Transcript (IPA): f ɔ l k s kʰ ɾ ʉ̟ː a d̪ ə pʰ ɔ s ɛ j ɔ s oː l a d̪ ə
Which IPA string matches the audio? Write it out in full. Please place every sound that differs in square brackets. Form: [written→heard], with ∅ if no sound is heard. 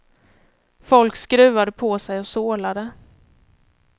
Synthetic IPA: f ɔ l k s [kʰ→k] ɾ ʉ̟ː a d̪ ə pʰ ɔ s ɛ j ɔ s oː l a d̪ ə